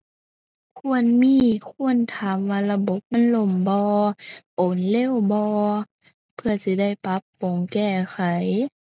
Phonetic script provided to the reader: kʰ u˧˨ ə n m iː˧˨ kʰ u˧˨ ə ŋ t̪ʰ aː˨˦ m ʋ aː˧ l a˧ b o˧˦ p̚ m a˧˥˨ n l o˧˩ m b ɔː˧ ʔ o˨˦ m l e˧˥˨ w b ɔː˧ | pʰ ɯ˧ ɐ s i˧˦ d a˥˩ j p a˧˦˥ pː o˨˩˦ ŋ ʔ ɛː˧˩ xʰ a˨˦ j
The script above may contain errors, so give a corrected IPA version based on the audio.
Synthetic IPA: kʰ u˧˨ ə n m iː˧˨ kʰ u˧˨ ə n t̪ʰ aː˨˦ m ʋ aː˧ l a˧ b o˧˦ p̚ m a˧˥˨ n l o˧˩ m b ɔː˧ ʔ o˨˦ n l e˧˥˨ w b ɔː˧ | pʰ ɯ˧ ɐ s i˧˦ d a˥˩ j p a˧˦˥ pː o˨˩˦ ŋ k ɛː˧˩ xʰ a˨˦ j